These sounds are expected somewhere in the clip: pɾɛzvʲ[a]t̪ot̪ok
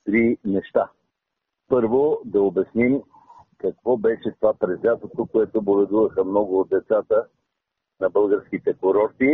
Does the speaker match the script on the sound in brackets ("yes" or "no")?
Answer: yes